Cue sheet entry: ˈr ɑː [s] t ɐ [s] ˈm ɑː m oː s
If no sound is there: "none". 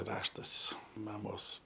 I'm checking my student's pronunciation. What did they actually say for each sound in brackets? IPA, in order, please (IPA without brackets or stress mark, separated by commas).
ʃ, s